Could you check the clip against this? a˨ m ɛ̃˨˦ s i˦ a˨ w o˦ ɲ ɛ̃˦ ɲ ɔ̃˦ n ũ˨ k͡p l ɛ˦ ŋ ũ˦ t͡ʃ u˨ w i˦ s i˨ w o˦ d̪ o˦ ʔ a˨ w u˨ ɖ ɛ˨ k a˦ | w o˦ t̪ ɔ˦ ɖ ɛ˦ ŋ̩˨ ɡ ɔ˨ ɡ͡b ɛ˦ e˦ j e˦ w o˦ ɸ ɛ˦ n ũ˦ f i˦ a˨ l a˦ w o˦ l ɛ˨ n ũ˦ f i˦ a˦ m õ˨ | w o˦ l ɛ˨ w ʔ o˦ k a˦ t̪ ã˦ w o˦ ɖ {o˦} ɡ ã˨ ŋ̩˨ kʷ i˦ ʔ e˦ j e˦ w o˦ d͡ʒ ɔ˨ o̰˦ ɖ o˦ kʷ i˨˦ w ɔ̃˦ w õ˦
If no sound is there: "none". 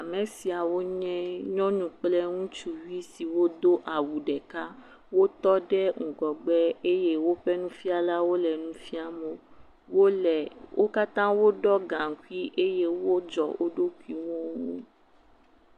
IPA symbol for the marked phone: ɔ˦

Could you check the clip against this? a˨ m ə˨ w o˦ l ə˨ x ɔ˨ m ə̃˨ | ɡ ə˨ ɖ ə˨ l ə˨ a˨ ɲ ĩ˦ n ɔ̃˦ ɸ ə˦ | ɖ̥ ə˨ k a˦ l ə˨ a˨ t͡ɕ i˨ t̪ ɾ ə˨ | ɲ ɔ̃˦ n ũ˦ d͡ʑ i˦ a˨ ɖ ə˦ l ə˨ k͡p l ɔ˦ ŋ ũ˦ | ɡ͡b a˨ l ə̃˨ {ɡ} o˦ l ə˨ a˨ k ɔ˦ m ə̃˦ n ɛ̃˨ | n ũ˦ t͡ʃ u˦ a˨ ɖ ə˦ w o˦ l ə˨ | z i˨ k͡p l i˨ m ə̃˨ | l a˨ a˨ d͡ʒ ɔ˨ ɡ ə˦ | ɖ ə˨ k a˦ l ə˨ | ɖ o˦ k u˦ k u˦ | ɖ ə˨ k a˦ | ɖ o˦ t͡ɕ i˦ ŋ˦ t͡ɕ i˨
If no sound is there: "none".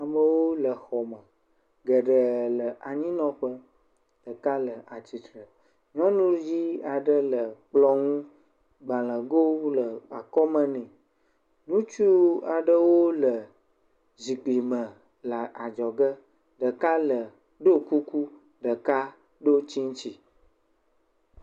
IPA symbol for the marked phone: ɡ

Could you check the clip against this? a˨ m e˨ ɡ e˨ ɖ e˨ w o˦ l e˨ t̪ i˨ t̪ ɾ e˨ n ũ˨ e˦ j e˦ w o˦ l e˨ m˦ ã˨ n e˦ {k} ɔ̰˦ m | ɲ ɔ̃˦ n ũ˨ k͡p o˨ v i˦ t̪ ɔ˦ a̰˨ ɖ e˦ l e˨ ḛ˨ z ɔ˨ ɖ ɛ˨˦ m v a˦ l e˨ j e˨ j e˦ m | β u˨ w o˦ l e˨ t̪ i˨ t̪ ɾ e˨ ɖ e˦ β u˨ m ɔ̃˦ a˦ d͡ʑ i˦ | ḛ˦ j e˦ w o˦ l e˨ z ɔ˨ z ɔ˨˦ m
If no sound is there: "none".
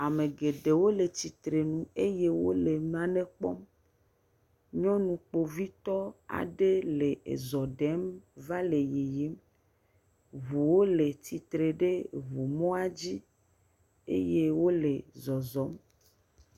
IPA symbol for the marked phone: k͡p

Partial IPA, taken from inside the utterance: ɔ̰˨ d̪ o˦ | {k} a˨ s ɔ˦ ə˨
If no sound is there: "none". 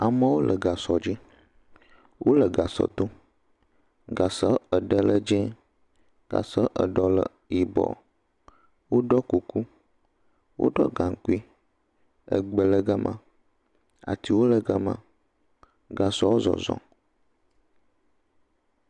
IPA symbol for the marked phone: ɡ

